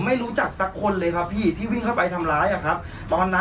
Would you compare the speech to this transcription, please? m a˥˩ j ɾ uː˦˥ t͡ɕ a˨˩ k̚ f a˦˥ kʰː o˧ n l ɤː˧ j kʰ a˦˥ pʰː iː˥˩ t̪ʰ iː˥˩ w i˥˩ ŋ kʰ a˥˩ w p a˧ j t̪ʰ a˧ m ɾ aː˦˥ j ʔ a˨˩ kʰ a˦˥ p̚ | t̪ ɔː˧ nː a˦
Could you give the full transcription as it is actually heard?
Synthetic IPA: m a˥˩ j ɾ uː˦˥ t͡ɕ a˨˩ k̚ s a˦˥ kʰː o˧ n l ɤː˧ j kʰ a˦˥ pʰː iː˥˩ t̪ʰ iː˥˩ w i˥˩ ŋ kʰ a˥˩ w p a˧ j t̪ʰ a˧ m ɾ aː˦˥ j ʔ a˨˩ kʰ a˦˥ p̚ | t̪ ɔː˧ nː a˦

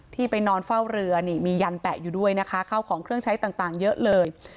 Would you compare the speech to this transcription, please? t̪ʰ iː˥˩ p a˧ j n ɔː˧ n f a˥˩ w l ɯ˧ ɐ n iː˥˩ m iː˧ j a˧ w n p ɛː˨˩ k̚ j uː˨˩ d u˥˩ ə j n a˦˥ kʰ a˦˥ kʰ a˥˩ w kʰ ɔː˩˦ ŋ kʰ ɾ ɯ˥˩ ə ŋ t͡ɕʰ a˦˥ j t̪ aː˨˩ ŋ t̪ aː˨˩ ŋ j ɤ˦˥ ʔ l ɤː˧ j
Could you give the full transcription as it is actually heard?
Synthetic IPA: t̪ʰ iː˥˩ p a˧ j n ɔː˧ n f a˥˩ w ɾ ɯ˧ ɐ n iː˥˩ m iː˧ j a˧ n p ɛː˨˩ k̚ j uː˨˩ d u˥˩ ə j n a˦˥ kʰ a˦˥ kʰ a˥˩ w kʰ ɔː˩˦ ŋ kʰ ɾ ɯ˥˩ ə ŋ t͡ɕʰ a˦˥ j t̪ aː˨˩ ŋ t̪ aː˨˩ ŋ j ɤ˦˥ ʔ l ɤː˧ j

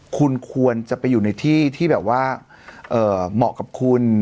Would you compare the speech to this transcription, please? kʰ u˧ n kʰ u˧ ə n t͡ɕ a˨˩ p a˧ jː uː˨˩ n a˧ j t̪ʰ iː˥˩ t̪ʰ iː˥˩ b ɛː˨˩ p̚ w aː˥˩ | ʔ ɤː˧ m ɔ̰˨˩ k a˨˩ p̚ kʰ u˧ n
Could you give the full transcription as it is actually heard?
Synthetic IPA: kʰ u˧ n kʰ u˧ ə n t͡ɕ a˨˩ p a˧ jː uː˨˩ n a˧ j t̪ʰ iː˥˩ t̪ʰ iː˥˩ b ɛː˨˩ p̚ w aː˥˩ | ʔ ɤː˨˩ m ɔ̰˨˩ k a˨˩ p̚ kʰ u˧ n

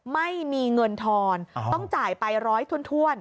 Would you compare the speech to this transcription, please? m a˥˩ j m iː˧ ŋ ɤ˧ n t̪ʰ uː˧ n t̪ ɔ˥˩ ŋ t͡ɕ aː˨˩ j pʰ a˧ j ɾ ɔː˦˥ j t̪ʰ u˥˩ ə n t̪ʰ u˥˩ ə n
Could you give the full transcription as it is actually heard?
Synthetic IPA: m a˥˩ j m iː˧ ŋ ɤ˧ n t̪ʰ ɔː˧ n t̪ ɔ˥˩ ŋ t͡ɕ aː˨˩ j p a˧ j ɾ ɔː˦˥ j t̪ʰ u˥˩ ə n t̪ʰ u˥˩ ə n

